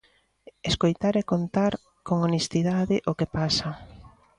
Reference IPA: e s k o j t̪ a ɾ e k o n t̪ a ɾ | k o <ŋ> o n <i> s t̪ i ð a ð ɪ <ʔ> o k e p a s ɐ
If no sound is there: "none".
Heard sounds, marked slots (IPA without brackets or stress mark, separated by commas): ŋ, e, ʔ